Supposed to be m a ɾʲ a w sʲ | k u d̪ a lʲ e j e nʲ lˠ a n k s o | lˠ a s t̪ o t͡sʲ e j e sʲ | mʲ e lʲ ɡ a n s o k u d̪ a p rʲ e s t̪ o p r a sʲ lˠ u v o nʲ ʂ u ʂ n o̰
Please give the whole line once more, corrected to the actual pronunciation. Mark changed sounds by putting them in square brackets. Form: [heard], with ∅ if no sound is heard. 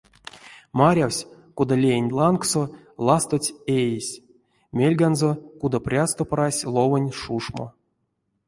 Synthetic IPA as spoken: m a ɾʲ a w sʲ | k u d̪ a lʲ e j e nʲ lˠ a n k s o | lˠ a s t̪ o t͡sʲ e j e sʲ | mʲ e lʲ ɡ a n [z] o k u d̪ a p rʲ [a] s t̪ o p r a sʲ lˠ [o] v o nʲ ʂ u ʂ [m] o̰